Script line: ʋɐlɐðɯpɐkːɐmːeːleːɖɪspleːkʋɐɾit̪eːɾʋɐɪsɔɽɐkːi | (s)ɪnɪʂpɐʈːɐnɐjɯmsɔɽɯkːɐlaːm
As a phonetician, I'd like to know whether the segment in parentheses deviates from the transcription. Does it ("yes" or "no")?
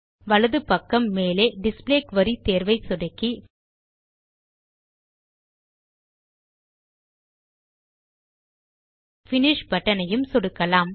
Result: yes